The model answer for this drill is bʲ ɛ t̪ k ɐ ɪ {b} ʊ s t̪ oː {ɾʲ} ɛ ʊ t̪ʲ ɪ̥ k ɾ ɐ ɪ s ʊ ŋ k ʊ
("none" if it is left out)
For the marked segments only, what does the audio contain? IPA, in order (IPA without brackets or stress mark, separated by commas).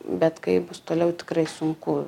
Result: b, lʲ